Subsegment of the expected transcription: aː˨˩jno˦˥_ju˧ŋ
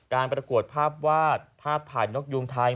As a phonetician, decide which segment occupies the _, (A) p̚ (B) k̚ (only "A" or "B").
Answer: B